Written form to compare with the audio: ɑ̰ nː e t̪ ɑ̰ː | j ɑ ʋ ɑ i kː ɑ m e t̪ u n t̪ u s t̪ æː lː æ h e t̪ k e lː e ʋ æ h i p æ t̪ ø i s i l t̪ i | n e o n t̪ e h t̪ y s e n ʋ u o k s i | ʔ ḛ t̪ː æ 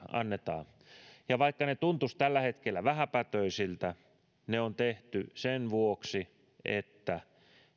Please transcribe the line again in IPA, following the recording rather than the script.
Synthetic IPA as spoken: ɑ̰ nː e t̪ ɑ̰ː | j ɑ ʋ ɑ i kː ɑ n e t̪ u n t̪ u s t̪ æ lː æ h e t̪ k e lː æ ʋ æ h æ p æ t̪ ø i s i l t̪ æ | n e o n t̪ e h t̪ y s e n ʋ u o k s i | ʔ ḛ t̪ː æ